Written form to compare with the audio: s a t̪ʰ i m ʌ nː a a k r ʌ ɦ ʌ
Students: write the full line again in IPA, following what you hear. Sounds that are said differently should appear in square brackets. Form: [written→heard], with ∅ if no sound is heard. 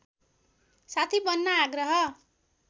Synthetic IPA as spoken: s a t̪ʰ i [m→b] ʌ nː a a [k→ɡ] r ʌ ɦ ʌ